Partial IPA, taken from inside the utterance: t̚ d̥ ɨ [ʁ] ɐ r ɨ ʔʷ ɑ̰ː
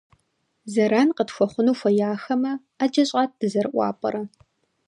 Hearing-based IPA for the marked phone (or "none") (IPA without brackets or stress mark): z